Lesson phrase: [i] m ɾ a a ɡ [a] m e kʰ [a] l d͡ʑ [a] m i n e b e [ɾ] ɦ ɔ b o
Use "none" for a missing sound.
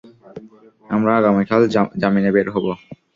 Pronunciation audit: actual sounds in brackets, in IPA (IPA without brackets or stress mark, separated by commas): a, a, a, a, ɾ